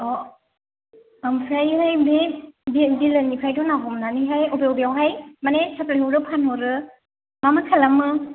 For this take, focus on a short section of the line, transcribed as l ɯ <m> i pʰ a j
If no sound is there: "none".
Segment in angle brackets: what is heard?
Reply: n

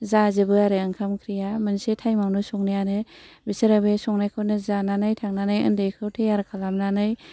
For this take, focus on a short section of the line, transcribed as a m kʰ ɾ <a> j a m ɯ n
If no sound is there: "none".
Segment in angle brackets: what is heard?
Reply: i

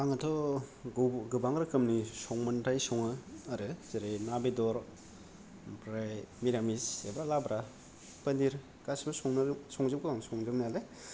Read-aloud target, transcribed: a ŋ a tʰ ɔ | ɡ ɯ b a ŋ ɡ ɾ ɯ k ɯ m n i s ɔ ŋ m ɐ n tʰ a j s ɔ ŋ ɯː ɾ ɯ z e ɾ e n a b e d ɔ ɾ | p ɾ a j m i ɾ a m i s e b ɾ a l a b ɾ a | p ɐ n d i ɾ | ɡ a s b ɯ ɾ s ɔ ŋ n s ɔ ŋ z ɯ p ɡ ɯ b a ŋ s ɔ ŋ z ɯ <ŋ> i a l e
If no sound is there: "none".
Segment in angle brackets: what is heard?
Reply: n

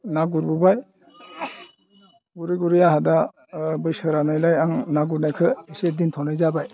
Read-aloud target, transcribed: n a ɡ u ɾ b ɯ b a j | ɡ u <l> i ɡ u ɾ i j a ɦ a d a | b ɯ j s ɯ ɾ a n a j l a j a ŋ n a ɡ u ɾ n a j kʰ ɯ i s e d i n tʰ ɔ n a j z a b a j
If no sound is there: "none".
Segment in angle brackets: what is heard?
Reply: ɾ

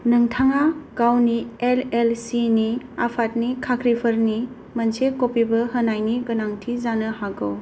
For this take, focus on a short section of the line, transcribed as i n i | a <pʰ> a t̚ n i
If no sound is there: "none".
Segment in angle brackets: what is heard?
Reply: pʰ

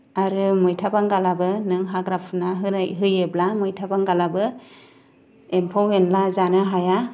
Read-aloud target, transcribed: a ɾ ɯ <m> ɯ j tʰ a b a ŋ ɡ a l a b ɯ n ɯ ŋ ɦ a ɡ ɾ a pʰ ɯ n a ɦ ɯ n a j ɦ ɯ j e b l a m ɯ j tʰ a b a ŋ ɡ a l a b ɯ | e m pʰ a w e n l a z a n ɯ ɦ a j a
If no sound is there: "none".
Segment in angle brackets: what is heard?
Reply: m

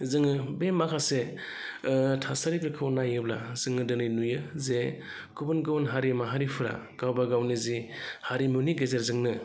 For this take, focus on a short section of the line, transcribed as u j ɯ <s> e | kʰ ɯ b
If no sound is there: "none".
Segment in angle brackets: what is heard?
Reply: z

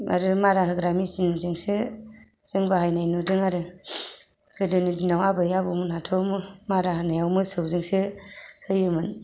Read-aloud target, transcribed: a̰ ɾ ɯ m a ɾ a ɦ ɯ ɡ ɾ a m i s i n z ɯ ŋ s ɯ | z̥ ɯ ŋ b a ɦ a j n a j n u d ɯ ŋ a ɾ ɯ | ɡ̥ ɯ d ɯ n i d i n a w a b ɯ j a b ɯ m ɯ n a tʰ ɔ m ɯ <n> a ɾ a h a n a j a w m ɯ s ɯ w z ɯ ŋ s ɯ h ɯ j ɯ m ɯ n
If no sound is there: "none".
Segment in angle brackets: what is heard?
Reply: m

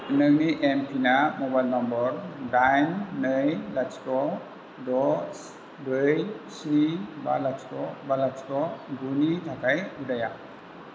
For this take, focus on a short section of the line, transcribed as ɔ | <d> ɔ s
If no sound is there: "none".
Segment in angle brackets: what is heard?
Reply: d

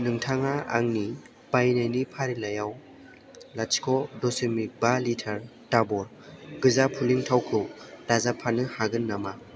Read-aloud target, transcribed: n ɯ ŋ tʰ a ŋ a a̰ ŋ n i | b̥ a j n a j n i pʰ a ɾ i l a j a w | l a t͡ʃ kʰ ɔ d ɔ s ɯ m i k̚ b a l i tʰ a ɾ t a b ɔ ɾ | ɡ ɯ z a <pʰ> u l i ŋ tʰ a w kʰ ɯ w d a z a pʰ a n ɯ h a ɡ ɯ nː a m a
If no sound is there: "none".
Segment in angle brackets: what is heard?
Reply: pʰ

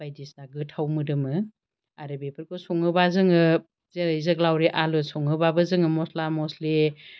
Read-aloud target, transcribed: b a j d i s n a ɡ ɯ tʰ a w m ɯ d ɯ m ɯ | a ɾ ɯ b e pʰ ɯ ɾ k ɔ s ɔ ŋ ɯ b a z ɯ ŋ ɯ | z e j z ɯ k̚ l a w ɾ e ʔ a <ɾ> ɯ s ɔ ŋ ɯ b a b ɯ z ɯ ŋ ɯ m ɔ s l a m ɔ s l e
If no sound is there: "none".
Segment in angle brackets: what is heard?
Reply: l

